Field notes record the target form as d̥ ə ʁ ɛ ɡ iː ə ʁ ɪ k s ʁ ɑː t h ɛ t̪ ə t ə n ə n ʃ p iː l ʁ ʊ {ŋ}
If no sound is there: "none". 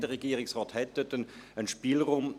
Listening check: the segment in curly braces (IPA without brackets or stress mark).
m